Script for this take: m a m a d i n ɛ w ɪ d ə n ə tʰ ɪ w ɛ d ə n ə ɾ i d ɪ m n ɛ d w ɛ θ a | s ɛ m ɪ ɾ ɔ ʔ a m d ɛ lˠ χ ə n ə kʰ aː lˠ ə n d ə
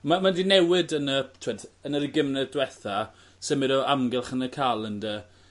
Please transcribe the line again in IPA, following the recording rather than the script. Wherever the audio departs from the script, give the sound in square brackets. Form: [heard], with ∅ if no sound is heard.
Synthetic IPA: m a m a d i n ɛ w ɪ d ə n ə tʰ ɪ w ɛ d ə n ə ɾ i [ɡ] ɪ m n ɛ d w ɛ θ a | s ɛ m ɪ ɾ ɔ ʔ a m [ɡ] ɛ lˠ χ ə n ə kʰ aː lˠ ə n d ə